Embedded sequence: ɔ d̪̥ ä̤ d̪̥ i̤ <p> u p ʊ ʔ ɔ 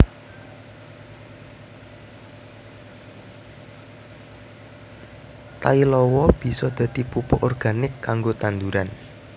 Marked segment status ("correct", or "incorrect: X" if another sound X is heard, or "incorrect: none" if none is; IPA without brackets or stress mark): correct